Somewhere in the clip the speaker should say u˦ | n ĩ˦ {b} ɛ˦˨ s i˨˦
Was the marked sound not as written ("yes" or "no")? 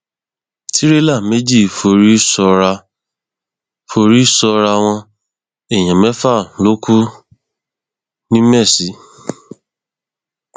yes